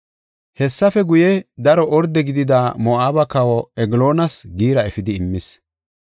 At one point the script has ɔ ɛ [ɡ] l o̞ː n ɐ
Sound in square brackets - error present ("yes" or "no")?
no